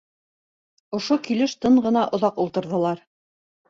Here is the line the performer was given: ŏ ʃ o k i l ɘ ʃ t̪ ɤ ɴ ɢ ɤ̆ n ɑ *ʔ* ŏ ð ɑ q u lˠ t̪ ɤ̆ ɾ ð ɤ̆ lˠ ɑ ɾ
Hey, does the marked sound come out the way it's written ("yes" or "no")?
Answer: yes